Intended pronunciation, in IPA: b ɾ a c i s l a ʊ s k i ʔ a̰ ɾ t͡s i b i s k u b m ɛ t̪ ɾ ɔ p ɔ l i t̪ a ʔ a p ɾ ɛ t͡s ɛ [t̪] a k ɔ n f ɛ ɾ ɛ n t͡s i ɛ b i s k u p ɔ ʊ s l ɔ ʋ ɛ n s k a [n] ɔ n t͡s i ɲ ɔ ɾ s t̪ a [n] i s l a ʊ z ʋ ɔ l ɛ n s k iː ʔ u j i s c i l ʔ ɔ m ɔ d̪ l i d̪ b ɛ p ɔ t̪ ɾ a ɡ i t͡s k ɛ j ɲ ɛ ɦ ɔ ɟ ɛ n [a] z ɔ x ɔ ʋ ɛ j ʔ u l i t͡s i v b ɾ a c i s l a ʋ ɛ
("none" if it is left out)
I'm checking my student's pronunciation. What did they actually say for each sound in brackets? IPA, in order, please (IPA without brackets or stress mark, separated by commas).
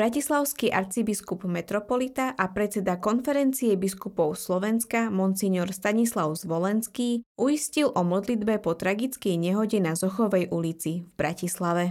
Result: d̪, m, ɲ, a